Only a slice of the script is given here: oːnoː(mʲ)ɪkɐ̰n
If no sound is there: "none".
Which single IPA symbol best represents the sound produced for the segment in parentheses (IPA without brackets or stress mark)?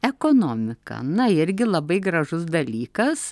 mʲ